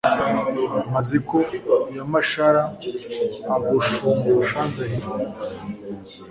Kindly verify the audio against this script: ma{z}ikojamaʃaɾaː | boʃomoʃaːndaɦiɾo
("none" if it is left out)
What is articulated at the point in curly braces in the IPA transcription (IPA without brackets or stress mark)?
z